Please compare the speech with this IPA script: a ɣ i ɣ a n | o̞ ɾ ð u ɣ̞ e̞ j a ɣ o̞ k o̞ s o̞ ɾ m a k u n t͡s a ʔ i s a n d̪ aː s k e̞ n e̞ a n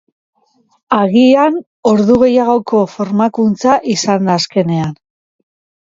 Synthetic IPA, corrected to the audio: a ɣ i a n | o̞ ɾ ð u ɣ̞ e̞ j a ɣ o̞ k o̞ f o̞ ɾ m a k u n t͡s a ʔ i s a n d̪ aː s k e̞ n e̞ a n